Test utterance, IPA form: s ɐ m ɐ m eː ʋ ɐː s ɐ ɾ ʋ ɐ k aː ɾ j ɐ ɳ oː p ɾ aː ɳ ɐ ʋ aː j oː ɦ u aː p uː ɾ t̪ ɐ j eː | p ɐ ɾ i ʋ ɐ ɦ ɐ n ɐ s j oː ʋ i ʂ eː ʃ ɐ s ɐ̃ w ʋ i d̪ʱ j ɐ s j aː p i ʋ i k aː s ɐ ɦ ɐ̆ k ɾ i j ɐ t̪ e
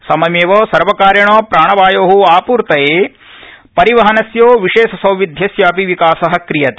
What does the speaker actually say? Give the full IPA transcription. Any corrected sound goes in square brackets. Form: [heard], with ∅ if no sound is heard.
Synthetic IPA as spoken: s ɐ m ɐ m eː ʋ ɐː s ɐ ɾ ʋ ɐ k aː ɾ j ɐ ɳ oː p ɾ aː ɳ ɐ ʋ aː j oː ɦ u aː p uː ɾ t̪ ɐ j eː | p ɐ ɾ i ʋ ɐ ɦ ɐ n ɐ s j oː ʋ i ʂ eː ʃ ɐ s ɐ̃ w ʋ i d̪ʱ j ɐ s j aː p i ʋ i k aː s ɐ ɦ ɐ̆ k ɾ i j ɐ t̪ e